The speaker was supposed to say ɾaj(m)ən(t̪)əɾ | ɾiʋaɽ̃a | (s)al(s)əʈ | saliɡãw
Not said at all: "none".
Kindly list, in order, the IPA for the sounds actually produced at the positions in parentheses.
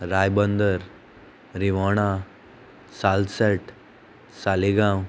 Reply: b, d̪, s, s

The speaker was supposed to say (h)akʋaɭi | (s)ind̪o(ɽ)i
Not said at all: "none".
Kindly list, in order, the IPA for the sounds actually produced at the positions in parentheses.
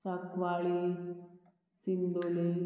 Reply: s, s, l

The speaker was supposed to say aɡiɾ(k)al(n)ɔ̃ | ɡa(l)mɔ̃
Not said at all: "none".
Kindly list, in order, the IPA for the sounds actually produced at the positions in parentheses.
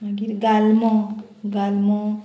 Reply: ɡ, m, l

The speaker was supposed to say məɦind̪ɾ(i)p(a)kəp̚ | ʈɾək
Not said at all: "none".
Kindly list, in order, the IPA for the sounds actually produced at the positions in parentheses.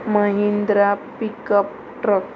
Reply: a, i

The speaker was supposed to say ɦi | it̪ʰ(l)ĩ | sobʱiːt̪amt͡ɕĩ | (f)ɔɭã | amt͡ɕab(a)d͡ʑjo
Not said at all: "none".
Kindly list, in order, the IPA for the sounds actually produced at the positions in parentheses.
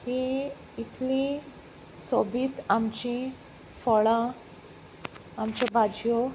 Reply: l, f, a

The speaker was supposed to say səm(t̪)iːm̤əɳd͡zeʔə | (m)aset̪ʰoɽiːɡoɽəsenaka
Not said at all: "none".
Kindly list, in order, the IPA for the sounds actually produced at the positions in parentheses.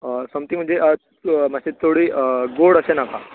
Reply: t̪, m

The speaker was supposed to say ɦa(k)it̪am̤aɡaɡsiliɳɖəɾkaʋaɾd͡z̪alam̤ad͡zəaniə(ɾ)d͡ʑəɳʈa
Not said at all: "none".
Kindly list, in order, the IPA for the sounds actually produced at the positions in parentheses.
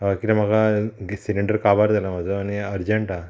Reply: k, ɾ

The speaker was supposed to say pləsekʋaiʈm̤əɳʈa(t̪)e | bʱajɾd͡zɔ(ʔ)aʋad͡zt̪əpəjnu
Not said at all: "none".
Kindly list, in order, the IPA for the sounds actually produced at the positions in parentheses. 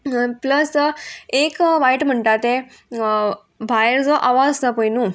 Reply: t̪, ʔ

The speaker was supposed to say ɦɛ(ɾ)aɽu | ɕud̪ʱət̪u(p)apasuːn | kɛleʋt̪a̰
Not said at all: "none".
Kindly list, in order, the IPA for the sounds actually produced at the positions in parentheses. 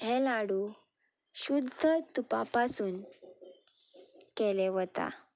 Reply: l, p

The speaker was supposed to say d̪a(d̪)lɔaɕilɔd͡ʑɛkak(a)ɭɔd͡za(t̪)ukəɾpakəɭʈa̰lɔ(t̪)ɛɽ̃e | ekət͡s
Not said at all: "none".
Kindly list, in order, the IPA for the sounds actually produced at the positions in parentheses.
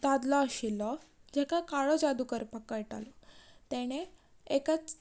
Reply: d̪, a, d̪, t̪

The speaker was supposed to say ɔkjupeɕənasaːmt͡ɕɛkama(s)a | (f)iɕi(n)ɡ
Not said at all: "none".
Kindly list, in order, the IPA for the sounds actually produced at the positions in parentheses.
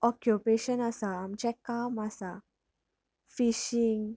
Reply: s, f, ŋ

